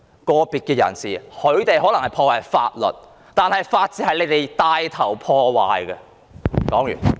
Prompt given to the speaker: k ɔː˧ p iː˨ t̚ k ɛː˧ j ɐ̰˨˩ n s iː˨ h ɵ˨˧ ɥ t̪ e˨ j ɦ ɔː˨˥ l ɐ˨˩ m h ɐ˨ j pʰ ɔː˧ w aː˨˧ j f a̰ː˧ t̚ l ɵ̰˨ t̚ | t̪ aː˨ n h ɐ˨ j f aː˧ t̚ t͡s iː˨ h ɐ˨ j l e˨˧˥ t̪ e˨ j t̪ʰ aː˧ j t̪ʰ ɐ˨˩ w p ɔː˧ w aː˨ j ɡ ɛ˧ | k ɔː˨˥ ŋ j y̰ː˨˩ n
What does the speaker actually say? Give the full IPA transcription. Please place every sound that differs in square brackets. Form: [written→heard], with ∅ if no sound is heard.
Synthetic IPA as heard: k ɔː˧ p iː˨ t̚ k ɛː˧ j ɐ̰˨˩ n s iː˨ h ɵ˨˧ ɥ t̪ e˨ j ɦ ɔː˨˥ l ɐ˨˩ [m→ŋ] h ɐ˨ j pʰ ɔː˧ w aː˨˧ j f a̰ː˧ t̚ l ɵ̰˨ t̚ | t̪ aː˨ n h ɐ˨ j f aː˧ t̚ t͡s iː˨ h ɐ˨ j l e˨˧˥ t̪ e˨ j [t̪ʰ→t̪] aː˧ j t̪ʰ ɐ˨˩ w [p→pʰ] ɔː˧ w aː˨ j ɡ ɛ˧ | k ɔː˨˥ ŋ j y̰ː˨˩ n